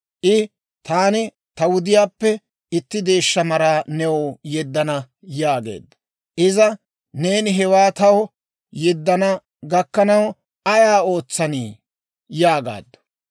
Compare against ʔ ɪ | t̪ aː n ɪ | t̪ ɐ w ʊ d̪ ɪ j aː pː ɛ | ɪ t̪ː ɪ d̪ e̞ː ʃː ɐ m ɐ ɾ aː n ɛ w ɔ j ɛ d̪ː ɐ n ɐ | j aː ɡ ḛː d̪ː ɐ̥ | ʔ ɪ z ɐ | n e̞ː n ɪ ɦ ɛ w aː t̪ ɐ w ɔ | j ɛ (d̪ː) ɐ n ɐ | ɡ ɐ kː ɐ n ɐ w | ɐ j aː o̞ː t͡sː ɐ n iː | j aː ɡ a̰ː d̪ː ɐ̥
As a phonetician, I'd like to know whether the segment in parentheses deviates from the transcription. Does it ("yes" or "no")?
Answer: no